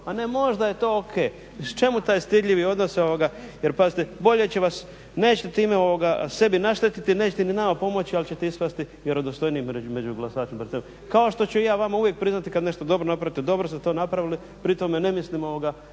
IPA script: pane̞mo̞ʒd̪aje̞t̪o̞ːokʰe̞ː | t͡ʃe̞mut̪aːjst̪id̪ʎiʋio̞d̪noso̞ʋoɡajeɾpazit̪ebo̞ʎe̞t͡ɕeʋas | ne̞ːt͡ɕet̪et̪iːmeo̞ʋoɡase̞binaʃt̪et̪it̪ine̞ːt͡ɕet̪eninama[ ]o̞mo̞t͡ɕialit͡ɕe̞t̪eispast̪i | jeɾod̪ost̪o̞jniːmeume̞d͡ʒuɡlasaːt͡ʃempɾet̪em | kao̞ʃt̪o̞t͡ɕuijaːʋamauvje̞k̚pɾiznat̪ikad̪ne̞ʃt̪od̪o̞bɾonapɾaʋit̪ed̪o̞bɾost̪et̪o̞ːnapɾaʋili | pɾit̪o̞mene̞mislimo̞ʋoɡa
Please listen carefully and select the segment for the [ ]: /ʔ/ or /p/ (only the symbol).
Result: p